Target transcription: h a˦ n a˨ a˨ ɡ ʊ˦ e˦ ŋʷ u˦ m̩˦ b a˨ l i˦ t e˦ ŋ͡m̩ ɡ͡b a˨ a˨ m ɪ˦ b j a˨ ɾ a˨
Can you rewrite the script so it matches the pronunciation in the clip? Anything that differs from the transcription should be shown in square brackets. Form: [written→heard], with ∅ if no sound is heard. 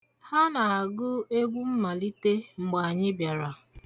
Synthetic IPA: h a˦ n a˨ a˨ ɡ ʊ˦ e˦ [ŋʷ→ɡʷ] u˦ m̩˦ [b→m] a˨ l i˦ t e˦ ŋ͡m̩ ɡ͡b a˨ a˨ [m→ɲ] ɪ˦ b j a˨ ɾ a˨